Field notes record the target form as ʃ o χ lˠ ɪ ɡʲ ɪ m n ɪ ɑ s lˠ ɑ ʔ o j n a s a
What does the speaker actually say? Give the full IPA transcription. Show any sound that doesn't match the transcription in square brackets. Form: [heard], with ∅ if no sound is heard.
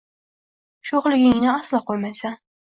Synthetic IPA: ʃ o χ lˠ ɪ ɡʲ ɪ [ŋ] n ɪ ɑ s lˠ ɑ [q] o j [m] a s a